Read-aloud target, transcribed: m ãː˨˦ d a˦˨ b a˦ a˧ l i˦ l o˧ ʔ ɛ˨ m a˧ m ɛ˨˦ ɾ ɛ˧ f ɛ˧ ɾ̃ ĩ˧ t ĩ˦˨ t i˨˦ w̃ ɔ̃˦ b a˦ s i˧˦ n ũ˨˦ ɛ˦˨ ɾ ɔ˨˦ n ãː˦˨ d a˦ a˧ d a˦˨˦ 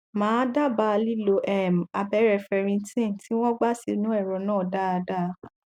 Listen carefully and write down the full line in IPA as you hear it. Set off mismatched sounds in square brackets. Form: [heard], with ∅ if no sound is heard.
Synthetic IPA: m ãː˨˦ d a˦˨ b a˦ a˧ l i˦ l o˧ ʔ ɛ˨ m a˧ [b] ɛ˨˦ ɾ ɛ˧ f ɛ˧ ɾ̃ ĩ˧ t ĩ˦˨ t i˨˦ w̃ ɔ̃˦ [ɡ͡b] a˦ s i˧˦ n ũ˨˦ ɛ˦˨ ɾ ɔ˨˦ n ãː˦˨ d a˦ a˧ d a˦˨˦